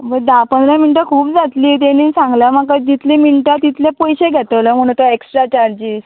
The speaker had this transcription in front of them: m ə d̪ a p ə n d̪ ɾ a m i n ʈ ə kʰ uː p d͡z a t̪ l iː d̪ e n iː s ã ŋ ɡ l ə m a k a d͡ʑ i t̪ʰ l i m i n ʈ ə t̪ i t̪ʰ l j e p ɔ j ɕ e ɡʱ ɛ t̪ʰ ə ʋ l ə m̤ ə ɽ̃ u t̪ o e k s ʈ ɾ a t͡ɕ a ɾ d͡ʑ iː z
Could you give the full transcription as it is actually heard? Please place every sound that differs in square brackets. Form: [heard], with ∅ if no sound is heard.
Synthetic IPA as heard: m ə d̪ a p ə n d̪ ɾ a m i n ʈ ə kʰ uː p d͡z a t̪ l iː [t̪] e n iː s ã ŋ ɡ l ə m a k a d͡ʑ i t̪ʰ l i m i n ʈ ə t̪ i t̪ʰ l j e p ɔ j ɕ e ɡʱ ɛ [t̪] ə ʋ l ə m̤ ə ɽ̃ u t̪ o e k s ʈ ɾ a t͡ɕ a ɾ d͡ʑ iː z